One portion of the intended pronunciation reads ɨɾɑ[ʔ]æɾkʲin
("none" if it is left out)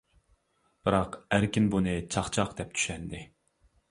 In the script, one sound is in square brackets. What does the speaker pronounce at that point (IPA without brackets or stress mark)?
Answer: q